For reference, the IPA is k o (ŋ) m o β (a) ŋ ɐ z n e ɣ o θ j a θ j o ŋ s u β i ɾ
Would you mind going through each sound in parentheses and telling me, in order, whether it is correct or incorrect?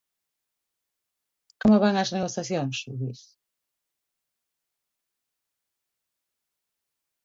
incorrect, correct

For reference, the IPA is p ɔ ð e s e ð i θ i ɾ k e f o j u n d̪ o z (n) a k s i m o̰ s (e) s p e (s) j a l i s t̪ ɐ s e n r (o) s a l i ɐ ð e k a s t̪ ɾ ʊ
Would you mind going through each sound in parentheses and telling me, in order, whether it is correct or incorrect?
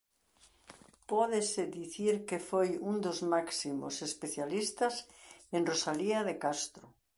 incorrect, correct, incorrect, correct

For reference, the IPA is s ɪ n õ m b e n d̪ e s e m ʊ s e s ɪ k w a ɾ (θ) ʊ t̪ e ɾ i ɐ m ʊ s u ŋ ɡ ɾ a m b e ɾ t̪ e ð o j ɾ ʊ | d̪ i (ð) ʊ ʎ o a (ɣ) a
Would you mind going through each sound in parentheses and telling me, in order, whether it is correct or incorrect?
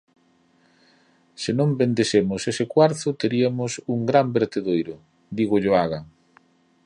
correct, incorrect, correct

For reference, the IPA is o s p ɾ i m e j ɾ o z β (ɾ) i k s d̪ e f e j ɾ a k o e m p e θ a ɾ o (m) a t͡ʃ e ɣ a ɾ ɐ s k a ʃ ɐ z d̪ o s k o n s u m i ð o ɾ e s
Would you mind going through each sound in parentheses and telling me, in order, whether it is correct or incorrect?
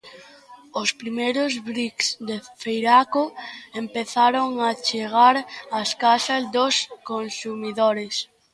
correct, incorrect

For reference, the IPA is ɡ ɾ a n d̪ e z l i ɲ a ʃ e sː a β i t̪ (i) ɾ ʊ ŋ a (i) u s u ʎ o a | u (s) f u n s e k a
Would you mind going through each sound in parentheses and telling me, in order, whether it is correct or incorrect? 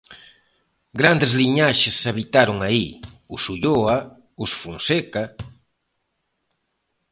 incorrect, correct, correct

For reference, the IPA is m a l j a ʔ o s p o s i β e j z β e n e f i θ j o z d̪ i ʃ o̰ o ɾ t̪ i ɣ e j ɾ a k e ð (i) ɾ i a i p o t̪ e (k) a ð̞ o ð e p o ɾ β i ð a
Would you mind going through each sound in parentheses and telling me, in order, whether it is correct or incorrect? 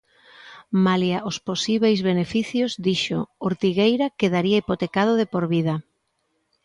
incorrect, correct

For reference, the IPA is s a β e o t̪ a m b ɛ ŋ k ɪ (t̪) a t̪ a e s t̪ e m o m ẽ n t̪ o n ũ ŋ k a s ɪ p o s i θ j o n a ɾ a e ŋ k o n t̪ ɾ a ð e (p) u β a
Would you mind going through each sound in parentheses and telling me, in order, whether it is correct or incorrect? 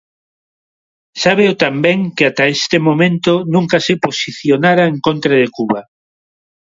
incorrect, incorrect

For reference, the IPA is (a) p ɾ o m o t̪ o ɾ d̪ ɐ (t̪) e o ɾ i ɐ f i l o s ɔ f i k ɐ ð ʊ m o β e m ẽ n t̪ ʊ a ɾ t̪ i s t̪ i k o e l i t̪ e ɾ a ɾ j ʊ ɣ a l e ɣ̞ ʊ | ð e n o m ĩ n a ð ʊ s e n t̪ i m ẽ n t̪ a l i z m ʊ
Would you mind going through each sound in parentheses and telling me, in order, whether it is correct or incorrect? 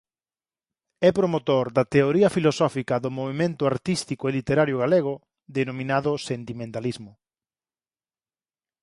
incorrect, correct

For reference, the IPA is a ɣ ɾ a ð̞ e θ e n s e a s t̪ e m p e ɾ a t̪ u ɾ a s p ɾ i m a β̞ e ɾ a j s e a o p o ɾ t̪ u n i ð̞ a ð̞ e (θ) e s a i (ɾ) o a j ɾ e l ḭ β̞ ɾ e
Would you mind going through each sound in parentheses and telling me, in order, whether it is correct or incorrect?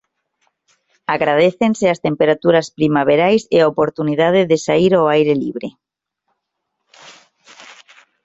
incorrect, correct

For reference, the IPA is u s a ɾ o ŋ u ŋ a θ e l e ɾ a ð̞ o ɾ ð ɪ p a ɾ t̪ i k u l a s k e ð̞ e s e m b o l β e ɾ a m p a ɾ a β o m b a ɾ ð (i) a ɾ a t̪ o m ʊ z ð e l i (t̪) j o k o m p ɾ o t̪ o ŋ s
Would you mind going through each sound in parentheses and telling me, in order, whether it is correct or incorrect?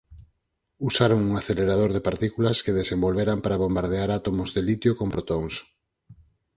incorrect, correct

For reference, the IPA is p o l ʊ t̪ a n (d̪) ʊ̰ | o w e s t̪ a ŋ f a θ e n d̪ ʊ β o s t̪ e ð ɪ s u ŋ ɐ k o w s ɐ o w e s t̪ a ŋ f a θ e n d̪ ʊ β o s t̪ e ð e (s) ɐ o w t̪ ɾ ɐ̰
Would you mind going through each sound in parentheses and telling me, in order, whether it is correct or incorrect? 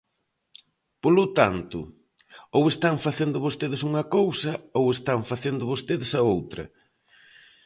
incorrect, correct

